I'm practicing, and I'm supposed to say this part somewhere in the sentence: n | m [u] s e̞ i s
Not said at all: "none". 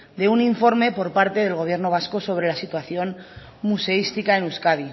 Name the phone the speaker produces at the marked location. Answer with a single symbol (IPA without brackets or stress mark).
u